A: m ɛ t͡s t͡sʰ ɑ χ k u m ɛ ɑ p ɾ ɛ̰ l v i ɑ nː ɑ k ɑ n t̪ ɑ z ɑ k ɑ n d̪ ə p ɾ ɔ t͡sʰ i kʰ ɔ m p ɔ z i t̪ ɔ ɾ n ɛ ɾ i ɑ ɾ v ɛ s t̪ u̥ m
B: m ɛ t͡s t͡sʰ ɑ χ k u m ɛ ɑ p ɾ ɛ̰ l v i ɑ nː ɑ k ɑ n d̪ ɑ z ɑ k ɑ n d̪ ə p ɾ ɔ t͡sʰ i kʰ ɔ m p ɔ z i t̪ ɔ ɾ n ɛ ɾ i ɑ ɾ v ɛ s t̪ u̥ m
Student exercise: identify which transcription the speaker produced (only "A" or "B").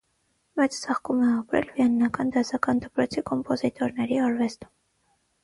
B